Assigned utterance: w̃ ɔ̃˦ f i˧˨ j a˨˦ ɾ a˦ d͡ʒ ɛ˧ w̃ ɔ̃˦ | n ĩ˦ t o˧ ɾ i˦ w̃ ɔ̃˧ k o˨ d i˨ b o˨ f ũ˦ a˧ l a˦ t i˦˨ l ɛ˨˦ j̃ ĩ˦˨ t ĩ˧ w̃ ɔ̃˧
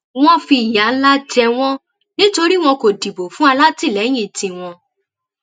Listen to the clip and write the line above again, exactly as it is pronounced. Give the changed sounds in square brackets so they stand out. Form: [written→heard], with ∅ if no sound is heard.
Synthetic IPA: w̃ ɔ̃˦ f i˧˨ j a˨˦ [ɾ→l] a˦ d͡ʒ ɛ˧ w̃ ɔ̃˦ | n ĩ˦ t o˧ ɾ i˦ w̃ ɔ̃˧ k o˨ d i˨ b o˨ f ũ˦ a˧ l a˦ t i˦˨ l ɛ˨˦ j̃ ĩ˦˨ t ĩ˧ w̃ ɔ̃˧